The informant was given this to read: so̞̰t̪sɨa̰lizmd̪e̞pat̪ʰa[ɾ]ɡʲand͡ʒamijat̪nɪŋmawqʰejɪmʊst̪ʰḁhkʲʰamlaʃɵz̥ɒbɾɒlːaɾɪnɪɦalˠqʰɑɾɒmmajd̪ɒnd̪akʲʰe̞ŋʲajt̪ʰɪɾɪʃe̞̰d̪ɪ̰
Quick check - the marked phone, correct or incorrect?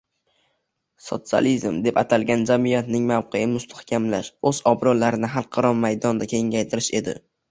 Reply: incorrect